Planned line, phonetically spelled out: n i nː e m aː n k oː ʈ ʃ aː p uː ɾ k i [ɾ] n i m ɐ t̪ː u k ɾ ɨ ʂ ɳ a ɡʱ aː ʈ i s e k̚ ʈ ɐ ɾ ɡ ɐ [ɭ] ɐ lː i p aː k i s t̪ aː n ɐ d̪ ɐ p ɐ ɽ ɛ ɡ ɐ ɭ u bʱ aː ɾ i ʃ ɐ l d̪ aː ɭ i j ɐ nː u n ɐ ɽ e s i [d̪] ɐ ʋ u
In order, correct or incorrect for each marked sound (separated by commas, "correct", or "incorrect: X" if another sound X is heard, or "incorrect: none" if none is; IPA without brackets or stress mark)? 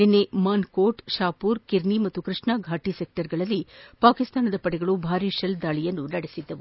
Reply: correct, correct, incorrect: d̪ː